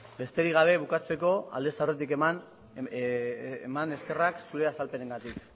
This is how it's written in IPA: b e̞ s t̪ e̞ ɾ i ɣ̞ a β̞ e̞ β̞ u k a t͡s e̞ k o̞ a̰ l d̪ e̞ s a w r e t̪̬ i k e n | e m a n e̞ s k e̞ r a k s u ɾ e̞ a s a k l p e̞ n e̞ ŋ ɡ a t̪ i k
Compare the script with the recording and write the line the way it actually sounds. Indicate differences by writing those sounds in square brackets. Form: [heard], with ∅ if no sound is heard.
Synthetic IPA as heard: b e̞ s t̪ e̞ ɾ i ɣ̞ a β̞ e̞ β̞ u k a t͡s e̞ k o̞ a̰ l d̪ e̞ s a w r e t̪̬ i k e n | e m a n e̞ s k e̞ r a k s u ɾ e̞ a s a [∅] l p e̞ n e̞ ŋ ɡ a t̪ i k